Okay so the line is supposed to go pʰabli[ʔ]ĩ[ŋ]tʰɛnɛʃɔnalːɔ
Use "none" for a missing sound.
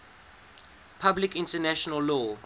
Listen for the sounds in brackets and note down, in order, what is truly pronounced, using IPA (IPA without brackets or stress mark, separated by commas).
k, n